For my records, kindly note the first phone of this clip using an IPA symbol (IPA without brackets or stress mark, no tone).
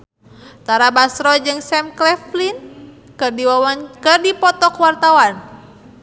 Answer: t̪